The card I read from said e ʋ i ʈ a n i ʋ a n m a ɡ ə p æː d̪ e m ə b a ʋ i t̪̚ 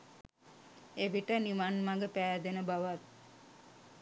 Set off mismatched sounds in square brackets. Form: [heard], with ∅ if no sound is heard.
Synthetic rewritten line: e ʋ i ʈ [ə] n i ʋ a n m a ɡ ə p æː d̪ e [n] ə b a ʋ [a] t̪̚